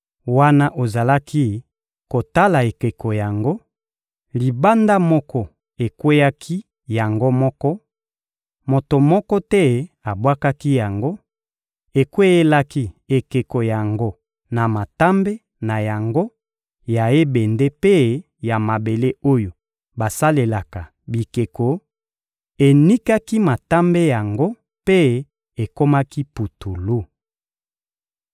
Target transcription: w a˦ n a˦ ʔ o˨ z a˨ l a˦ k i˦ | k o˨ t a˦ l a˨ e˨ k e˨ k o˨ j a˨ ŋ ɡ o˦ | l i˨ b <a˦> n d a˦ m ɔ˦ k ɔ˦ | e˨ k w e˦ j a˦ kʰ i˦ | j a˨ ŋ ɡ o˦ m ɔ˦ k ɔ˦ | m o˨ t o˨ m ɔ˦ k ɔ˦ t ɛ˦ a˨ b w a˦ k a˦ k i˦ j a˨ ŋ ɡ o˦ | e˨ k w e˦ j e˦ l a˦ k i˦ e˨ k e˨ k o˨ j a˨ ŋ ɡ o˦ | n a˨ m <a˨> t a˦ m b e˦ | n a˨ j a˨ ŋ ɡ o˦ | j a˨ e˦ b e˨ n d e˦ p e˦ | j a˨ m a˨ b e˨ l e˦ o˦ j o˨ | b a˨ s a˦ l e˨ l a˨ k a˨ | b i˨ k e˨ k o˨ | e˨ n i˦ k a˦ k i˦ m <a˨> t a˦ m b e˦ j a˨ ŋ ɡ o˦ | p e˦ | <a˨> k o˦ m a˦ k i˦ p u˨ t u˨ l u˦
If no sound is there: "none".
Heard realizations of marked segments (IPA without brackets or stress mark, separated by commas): a˦, a˨, a˨, e˨